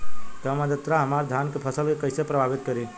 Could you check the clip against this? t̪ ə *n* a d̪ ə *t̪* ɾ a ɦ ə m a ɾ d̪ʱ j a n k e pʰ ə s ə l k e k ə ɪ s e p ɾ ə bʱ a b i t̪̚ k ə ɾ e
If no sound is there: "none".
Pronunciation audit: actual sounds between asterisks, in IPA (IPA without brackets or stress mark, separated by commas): m, t̪